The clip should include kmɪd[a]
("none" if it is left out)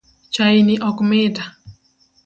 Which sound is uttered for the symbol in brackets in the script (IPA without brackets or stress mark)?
a